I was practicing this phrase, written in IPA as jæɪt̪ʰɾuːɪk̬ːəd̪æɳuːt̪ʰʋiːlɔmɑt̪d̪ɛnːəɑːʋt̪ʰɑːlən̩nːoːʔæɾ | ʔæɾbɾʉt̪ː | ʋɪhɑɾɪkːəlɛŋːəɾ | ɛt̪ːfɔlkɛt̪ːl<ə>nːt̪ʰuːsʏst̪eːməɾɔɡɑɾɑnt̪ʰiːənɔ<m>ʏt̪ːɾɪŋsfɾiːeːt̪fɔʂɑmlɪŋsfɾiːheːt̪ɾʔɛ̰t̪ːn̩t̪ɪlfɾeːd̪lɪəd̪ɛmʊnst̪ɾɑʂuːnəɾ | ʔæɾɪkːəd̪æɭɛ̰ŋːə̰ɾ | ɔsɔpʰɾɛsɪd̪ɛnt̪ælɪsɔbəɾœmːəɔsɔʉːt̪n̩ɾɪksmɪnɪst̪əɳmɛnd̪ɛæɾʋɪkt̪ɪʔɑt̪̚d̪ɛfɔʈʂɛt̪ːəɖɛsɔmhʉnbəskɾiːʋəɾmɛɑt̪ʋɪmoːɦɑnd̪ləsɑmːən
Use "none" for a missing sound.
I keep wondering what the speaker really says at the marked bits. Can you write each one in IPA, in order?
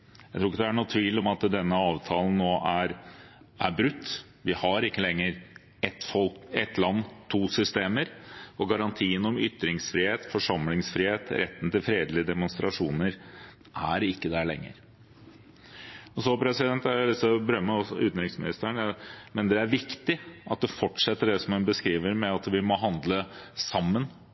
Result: ɑ, m

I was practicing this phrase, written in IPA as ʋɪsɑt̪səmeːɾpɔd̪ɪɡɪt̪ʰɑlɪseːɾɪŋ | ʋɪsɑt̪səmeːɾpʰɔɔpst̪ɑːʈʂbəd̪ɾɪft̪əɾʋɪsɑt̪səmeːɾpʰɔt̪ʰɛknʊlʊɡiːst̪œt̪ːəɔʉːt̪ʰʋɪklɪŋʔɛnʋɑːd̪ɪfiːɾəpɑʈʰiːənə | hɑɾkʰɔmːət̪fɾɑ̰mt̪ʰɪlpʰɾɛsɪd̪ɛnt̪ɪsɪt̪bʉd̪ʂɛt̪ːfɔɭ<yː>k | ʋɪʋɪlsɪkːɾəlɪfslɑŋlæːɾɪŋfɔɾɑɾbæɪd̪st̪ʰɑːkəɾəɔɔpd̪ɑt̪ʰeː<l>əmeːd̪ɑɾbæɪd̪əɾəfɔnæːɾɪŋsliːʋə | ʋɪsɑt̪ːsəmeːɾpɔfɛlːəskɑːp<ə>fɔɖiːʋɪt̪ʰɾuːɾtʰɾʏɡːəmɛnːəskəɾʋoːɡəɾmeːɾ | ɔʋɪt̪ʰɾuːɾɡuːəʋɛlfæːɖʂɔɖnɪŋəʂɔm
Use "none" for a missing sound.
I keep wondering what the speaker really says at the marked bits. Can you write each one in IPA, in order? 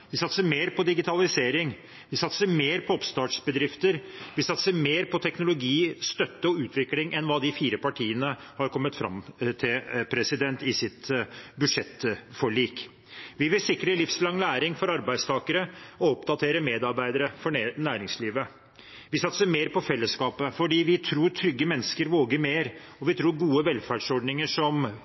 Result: iː, ɾ, ə

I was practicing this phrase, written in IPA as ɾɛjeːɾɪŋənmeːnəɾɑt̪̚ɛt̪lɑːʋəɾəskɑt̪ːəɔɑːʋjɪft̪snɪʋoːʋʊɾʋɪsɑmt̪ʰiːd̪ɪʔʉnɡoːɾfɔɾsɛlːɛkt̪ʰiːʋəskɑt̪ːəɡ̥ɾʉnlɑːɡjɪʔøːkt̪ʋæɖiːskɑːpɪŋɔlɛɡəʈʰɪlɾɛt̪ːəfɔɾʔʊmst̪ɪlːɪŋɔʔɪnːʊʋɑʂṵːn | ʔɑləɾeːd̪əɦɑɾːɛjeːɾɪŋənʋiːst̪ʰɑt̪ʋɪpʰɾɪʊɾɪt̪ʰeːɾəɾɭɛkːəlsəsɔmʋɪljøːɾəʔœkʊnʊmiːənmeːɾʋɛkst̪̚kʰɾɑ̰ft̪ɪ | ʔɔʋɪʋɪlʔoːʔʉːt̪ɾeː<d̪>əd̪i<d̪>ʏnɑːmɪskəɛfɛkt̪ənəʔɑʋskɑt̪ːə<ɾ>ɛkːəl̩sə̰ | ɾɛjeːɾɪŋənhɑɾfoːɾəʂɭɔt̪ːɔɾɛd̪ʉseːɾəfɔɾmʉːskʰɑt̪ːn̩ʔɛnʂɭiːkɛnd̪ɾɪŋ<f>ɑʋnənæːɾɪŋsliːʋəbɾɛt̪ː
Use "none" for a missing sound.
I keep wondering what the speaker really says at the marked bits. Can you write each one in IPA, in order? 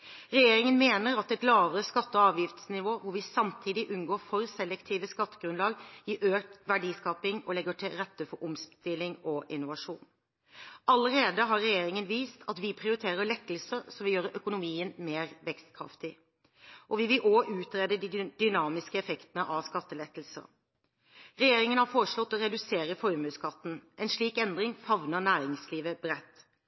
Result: d̪, d̪, l, f

